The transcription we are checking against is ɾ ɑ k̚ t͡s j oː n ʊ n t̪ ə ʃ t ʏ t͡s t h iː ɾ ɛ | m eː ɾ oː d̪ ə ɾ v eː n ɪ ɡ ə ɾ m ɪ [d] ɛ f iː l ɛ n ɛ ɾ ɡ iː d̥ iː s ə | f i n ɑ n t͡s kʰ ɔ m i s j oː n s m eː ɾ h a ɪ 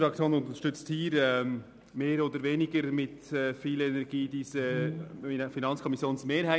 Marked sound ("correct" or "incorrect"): incorrect